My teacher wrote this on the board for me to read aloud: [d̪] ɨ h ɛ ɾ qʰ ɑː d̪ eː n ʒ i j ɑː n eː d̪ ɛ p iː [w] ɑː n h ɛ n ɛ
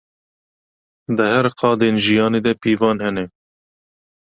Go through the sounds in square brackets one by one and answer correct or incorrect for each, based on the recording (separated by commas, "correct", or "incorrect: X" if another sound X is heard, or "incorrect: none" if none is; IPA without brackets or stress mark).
correct, incorrect: v